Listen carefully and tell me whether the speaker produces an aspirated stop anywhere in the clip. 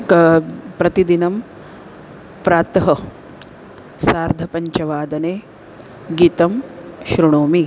no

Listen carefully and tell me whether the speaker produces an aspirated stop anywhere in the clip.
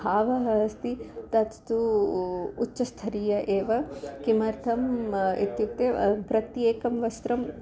yes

